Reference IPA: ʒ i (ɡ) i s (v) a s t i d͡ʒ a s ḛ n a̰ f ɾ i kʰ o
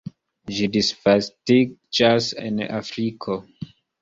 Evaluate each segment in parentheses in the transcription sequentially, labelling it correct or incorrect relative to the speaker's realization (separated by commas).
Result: incorrect, incorrect